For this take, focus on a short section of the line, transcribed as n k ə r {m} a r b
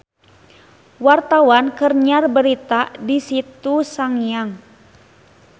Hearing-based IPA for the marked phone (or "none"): ɲ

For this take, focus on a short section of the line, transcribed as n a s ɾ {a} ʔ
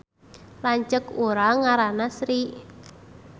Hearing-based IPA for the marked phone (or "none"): i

